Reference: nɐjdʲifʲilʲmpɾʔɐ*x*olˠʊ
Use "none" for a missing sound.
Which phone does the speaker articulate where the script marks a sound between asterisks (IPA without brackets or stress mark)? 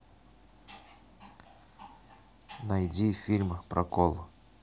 k